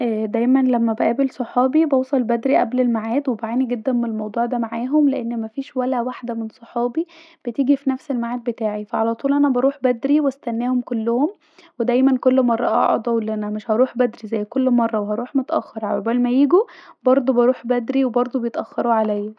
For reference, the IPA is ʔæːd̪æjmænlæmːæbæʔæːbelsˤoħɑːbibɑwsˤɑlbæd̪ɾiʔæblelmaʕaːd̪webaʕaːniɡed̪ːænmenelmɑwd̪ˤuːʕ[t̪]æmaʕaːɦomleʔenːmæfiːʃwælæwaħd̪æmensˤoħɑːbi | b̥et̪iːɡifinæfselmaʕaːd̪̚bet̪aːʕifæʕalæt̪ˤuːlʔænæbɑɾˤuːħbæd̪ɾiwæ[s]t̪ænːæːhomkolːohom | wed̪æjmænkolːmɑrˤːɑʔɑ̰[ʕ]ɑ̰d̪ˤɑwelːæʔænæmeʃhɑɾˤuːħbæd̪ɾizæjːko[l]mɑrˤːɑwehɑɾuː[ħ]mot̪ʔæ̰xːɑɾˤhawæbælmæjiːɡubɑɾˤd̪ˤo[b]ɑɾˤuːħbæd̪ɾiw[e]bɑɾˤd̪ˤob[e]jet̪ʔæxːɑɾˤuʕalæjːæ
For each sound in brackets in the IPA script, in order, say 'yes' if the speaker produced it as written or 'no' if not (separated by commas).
no, yes, yes, no, yes, yes, yes, yes